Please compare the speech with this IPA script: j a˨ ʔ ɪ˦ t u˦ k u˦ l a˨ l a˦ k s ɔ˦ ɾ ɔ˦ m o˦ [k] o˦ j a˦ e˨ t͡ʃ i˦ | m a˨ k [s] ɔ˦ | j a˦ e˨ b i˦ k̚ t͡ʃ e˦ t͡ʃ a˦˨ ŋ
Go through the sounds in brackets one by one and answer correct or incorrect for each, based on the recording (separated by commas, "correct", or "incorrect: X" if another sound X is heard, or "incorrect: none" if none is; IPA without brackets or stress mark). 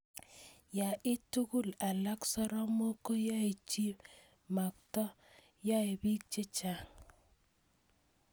correct, incorrect: t